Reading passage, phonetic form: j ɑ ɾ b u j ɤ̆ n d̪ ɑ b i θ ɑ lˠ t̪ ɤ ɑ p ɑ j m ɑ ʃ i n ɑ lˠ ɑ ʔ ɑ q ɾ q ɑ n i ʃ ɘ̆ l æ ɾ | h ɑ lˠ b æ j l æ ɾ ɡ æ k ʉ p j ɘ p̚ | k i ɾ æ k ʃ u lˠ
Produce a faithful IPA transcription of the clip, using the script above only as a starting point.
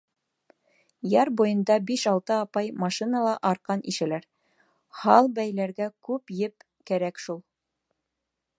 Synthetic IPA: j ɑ ɾ b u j ɤ̆ n d̪ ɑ b i ʃ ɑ lˠ t̪ ɤ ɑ p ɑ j m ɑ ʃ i n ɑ lˠ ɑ ʔ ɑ ɾ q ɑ n i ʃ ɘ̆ l æ ɾ | h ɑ lˠ b æ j l æ ɾ ɡ æ k ʉ p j ɘ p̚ | k æ ɾ æ k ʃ u lˠ